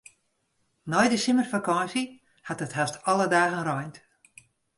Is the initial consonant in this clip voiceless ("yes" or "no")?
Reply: no